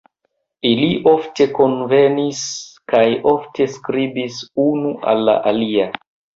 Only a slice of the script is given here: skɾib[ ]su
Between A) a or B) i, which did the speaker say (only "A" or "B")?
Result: B